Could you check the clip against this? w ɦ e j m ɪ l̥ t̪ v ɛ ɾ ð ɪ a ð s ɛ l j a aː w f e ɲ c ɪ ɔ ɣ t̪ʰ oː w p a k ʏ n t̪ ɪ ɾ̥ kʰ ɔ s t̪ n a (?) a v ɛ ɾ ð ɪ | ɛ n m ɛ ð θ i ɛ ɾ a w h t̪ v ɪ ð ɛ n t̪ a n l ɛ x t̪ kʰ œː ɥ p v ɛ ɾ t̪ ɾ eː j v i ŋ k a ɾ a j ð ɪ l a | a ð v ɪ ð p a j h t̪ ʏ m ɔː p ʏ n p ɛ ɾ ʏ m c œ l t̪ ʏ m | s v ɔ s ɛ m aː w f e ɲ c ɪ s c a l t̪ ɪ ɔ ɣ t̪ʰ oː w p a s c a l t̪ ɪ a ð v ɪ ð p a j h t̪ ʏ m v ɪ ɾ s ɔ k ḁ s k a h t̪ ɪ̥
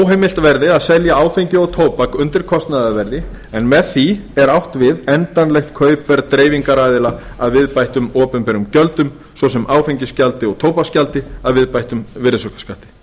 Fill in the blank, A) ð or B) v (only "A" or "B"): A